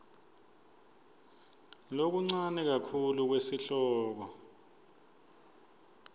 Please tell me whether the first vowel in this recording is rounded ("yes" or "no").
yes